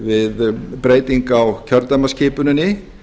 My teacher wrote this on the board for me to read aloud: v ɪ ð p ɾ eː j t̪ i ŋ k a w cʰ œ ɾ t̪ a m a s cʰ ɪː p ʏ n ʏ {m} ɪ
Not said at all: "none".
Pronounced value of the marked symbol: n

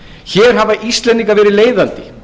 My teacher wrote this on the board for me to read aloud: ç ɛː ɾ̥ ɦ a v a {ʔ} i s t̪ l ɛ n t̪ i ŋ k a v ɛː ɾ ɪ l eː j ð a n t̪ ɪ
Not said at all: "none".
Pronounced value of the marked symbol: ʔ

